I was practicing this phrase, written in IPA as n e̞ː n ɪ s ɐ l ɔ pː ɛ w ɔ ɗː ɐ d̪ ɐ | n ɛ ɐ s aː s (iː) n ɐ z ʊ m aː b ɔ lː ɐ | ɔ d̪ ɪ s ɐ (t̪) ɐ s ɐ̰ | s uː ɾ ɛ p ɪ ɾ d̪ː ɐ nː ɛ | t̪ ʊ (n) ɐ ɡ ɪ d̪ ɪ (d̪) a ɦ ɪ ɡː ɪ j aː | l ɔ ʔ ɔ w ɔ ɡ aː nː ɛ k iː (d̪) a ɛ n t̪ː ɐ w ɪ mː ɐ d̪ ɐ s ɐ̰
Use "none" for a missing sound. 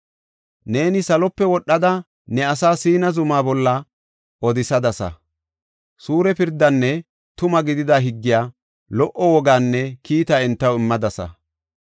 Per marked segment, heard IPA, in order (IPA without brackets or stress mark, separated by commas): iː, d̪, m, d̪, t̪